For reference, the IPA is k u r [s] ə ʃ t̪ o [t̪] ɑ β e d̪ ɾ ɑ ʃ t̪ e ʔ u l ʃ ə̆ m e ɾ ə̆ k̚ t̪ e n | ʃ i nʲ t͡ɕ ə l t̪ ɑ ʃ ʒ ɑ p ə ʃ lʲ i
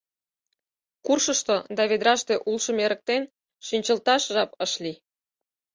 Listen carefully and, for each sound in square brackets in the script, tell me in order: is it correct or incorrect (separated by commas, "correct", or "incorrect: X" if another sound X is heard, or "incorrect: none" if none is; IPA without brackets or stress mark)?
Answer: incorrect: ʃ, incorrect: d̪